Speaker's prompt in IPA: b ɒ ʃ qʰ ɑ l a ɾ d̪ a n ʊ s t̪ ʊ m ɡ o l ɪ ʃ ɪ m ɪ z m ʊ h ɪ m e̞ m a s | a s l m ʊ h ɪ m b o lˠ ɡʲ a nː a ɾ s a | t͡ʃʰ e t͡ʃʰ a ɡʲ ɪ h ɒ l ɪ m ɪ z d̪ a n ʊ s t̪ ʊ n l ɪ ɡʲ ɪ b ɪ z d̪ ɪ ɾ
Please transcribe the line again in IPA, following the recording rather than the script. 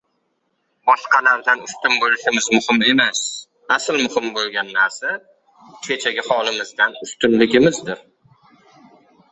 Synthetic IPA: b ɒ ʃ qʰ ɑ l a ɾ d̪ a n ʊ s t̪ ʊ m b o l ɪ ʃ ɪ m ɪ z m ʊ h ɪ m e̞ m a s | a s l m ʊ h ɪ m b o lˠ ɡʲ a nː a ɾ s a | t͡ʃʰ e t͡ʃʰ a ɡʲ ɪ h ɒ l ɪ m ɪ z d̪ a n ʊ s t̪ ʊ n l ɪ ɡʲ ɪ m ɪ z d̪ ɪ ɾ